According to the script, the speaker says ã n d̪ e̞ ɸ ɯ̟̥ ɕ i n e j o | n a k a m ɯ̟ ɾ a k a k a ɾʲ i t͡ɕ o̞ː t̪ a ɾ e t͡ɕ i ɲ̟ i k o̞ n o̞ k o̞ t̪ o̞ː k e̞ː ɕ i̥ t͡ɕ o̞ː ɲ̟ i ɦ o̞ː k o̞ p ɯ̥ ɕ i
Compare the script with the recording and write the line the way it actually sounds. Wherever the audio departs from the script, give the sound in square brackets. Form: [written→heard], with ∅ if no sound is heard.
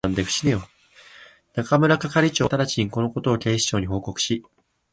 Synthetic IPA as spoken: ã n d̪ e̞ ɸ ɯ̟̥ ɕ i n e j o | n a k a m ɯ̟ ɾ a k a k a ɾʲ i t͡ɕ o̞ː t̪ a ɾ [e→a] t͡ɕ i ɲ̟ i k o̞ n o̞ k o̞ t̪ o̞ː k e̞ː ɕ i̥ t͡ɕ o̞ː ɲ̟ i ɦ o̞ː k o̞ [p→k] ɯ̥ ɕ i

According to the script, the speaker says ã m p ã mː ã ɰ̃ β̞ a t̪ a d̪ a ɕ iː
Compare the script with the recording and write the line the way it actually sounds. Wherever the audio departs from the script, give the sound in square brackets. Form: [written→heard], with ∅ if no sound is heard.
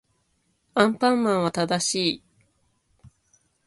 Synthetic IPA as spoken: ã m p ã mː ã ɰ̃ β̞ a t̪ a d̪ a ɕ iː

